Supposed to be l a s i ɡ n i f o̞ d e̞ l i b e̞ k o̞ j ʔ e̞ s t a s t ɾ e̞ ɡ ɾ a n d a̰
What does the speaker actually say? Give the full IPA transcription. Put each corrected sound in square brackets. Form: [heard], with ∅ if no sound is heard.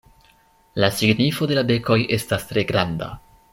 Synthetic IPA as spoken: l a s i ɡ n i f o̞ d e̞ l [a] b e̞ k o̞ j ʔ e̞ s t a s t ɾ e̞ ɡ ɾ a n d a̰